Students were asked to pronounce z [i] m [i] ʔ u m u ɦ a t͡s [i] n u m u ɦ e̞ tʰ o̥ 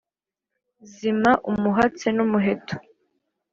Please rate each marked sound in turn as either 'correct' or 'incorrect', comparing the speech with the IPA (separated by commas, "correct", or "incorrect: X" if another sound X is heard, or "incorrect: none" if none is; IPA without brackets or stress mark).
correct, incorrect: a, incorrect: e